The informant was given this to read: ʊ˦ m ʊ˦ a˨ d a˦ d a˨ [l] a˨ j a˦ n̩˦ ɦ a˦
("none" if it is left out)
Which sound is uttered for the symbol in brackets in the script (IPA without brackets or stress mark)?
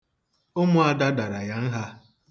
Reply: ɾ